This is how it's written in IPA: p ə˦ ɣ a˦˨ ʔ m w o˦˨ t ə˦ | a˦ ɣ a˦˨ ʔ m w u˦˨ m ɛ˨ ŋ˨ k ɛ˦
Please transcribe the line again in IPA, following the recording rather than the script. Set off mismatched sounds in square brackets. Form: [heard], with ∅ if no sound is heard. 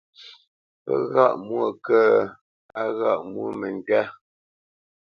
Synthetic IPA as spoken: p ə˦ ɣ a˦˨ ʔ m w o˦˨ [k] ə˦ | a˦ ɣ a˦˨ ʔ m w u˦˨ m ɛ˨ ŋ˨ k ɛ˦